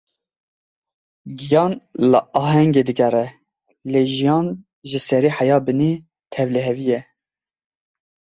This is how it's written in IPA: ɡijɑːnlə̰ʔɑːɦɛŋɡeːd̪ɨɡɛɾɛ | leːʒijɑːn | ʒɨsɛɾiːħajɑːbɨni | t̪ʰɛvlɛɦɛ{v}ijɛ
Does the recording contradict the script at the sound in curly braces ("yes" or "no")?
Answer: no